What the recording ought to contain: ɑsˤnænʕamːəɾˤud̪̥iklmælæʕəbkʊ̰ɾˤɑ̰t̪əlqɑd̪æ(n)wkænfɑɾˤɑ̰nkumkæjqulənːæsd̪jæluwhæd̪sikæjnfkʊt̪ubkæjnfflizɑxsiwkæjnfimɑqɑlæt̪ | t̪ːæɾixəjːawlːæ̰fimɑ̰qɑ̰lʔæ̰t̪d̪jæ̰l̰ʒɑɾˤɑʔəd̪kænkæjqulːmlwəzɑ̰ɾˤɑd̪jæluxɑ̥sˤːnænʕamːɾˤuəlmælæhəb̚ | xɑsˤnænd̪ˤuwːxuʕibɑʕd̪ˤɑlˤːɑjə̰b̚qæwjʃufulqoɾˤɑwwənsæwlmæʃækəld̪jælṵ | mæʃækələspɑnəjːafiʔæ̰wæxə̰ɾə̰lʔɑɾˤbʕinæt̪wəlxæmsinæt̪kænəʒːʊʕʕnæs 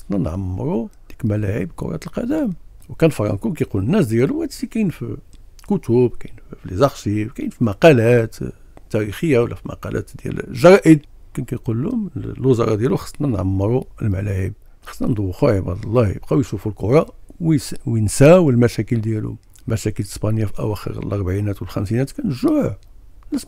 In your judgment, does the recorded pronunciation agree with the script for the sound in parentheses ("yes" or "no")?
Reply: no